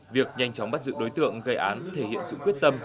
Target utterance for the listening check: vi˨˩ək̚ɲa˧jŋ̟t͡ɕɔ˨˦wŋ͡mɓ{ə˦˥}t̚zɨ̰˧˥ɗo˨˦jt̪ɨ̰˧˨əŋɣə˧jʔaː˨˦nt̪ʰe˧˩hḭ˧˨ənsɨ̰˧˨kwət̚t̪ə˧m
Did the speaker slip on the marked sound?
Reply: yes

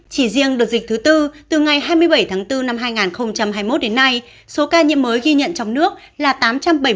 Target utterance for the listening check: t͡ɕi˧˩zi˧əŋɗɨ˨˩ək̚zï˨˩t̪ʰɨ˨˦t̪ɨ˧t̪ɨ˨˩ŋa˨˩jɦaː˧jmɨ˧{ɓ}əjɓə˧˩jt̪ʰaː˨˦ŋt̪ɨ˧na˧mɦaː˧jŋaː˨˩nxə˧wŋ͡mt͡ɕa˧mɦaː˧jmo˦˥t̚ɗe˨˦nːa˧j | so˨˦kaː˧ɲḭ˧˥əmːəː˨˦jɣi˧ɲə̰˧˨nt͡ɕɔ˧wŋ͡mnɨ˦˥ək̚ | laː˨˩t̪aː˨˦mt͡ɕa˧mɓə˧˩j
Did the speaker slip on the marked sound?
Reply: yes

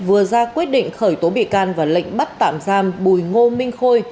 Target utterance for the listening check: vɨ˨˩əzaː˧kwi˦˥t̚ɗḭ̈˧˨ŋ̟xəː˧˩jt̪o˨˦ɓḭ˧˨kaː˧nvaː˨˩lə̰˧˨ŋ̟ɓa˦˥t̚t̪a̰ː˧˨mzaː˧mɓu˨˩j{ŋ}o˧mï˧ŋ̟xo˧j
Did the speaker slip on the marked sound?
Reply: no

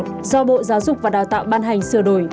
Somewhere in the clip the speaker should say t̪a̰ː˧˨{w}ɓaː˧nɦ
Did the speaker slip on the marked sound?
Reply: no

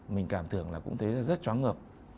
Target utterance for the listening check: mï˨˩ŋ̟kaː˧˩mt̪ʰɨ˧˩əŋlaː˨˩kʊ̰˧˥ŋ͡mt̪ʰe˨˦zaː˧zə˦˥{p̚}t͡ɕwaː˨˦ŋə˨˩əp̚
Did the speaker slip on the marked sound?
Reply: yes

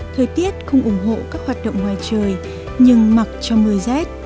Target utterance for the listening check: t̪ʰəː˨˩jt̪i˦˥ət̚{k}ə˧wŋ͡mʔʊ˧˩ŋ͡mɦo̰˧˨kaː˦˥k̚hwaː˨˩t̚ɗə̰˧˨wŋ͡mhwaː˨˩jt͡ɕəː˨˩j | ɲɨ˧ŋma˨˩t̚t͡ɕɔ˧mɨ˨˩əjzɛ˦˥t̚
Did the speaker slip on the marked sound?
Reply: yes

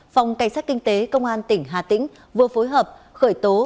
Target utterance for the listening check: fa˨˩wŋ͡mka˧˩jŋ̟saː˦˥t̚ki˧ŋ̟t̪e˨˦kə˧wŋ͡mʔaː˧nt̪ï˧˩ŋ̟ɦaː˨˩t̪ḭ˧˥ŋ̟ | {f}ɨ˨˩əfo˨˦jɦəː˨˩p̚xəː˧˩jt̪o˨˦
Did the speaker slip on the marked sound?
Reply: yes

